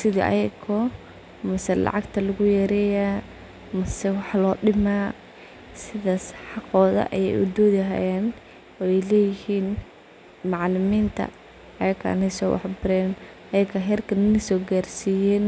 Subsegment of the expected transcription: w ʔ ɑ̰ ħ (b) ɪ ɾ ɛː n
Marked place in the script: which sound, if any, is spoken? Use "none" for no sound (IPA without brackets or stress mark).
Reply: b